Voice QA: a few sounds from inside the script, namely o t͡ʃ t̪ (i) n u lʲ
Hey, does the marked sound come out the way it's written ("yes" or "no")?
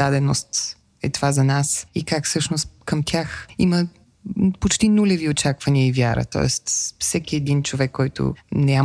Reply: yes